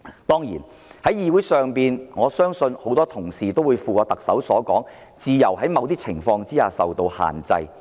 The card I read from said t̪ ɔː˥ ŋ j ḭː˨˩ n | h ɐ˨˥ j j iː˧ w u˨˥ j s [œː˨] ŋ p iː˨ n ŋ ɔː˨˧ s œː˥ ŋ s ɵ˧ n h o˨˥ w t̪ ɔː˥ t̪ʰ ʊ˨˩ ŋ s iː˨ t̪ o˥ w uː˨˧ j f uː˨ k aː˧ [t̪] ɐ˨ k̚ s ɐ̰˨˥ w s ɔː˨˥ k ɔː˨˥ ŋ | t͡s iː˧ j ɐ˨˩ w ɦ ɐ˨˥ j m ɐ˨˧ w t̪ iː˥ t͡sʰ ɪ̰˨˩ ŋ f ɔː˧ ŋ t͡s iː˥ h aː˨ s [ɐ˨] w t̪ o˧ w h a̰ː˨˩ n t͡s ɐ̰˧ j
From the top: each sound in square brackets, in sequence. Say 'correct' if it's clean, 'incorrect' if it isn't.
correct, correct, correct

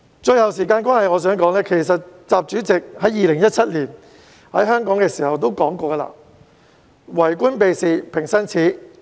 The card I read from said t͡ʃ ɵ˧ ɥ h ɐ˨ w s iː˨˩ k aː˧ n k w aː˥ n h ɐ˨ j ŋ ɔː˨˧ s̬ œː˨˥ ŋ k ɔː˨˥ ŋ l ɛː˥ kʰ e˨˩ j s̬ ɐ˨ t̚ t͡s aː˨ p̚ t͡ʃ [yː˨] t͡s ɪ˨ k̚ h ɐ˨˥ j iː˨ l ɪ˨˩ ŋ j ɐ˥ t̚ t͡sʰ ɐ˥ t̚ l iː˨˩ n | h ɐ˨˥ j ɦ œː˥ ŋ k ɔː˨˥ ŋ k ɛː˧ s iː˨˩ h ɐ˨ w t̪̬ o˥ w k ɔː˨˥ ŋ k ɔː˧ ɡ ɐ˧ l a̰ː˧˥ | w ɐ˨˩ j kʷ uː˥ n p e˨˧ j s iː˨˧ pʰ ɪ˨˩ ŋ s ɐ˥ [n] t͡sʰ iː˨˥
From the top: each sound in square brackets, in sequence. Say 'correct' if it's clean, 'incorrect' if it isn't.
incorrect: yː˨˥, correct

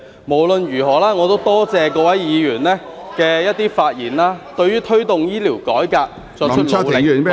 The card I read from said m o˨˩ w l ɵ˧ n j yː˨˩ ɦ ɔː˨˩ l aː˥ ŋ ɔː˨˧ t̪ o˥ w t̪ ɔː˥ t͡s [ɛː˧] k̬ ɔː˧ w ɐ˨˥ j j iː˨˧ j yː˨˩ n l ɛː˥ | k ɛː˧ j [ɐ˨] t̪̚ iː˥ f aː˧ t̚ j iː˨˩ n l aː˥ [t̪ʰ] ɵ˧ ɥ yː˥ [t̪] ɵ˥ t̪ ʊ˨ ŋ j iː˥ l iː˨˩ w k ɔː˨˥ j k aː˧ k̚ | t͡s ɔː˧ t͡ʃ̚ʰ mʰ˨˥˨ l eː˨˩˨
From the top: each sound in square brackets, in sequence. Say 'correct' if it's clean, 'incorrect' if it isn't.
correct, incorrect: ɐ˥, incorrect: t̪, incorrect: t̪ʰ

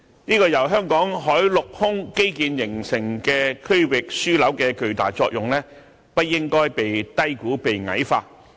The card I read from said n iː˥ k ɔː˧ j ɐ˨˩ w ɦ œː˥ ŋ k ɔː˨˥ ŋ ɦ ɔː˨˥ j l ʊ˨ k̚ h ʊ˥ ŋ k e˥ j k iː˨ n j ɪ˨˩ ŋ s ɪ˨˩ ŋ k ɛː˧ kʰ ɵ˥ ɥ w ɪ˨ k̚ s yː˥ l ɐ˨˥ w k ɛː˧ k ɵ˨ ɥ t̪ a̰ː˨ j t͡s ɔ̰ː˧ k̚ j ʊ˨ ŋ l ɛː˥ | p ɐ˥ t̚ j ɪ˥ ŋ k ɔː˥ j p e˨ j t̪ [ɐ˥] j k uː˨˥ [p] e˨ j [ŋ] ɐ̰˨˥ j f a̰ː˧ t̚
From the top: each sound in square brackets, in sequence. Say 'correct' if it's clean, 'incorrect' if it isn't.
correct, correct, correct

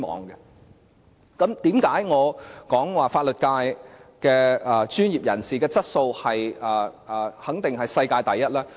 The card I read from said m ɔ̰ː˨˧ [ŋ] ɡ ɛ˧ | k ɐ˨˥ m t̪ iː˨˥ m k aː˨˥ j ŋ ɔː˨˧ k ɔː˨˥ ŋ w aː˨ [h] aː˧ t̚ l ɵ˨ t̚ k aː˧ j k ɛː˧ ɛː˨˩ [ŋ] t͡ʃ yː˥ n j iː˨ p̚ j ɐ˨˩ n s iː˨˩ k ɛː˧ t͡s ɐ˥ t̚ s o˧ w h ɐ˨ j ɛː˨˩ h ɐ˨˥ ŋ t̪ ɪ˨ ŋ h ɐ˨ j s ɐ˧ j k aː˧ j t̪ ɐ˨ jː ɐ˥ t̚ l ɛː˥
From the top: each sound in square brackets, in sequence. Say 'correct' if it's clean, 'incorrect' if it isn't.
correct, incorrect: f, incorrect: none

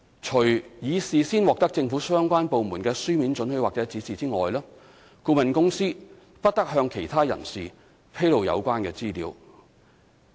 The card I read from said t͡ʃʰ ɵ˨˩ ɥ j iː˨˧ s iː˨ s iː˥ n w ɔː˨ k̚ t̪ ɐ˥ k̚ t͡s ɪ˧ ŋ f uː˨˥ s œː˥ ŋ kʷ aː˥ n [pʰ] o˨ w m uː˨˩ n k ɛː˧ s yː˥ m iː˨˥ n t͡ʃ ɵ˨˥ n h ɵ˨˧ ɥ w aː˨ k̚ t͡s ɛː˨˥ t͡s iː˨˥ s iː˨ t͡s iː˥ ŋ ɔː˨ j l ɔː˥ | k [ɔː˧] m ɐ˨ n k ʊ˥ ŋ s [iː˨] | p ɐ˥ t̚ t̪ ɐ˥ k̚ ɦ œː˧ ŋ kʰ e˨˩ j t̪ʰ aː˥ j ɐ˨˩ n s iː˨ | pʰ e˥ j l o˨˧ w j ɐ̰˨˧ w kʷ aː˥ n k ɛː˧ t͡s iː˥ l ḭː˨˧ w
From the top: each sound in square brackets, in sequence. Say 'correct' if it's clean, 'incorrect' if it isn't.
incorrect: p, incorrect: uː˧, incorrect: iː˥

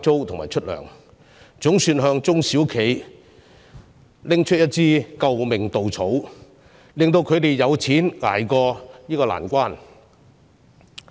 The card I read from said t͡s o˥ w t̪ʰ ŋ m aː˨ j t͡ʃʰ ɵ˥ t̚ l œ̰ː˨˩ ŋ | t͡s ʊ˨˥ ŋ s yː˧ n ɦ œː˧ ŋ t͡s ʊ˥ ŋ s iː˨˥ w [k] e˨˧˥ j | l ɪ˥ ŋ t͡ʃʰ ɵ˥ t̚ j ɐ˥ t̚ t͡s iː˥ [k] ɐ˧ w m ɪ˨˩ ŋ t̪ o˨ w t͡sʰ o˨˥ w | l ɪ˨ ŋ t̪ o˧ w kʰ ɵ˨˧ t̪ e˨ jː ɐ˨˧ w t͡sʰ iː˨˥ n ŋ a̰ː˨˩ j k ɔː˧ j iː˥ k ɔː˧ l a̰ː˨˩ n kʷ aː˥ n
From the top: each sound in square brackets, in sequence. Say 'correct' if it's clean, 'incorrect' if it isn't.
incorrect: kʰ, correct

